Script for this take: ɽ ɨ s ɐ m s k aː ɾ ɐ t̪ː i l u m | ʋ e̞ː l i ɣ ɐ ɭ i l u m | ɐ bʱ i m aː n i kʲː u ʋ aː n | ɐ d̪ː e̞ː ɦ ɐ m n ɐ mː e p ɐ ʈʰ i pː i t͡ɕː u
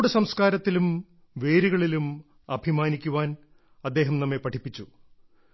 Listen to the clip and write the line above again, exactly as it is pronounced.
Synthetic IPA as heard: ɽ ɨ s ɐ m s k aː ɾ ɐ t̪ː i l u m | ʋ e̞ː ɾ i ɣ ɐ ɭ i l u m | ɐ bʱ i m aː n i kʲː u ʋ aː n | ɐ d̪ː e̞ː ɦ ɐ m n ɐ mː e p ɐ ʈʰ i pː i t͡ɕː u